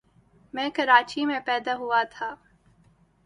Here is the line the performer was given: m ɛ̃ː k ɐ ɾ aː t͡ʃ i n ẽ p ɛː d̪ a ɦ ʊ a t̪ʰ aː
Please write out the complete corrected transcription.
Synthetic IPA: m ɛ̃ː k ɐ ɾ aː t͡ʃ i m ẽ p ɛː d̪ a ɦ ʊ a t̪ʰ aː